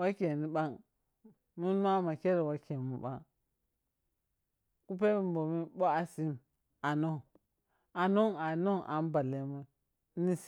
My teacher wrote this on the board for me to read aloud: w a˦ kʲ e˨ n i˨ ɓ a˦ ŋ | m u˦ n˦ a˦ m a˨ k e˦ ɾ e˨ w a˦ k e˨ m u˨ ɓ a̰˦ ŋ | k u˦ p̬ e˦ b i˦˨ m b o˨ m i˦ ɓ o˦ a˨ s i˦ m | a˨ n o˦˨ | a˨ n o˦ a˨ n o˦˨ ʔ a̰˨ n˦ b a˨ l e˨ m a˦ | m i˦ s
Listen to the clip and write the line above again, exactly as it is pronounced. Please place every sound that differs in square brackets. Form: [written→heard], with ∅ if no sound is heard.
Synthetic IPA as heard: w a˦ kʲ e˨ n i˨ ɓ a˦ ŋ | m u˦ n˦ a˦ m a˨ k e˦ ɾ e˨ w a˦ k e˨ m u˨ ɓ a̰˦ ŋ | k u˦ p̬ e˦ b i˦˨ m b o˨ m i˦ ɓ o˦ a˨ s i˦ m | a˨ n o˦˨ | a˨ n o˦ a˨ n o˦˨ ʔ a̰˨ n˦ b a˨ l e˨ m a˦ | [m→n] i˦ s